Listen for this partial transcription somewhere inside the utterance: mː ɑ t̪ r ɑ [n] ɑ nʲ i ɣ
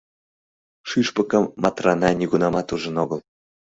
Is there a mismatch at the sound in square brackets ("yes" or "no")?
no